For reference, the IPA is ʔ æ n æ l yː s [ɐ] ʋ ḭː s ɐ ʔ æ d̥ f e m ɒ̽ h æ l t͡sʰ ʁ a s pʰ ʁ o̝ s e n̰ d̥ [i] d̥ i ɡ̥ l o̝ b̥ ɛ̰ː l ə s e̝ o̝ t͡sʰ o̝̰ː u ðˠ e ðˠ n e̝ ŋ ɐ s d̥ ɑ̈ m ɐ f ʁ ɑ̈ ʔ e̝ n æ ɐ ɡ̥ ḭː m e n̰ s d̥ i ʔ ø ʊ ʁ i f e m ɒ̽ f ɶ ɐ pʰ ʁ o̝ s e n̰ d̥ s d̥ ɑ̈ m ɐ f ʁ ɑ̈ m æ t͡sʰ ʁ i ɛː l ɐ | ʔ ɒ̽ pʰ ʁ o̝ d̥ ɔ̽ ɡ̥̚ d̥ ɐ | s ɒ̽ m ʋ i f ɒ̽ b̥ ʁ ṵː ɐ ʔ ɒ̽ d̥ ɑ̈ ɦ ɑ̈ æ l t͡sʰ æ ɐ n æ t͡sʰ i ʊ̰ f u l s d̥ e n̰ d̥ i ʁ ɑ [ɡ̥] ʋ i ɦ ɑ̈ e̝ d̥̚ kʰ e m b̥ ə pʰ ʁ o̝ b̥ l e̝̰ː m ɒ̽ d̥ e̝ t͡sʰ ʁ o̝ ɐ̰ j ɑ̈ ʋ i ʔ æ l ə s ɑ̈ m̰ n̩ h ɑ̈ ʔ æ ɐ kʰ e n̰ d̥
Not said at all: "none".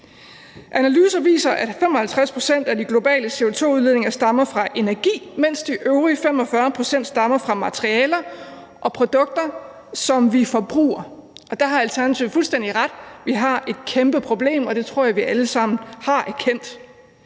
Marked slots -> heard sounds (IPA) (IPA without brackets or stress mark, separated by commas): ɐ, æ, d̥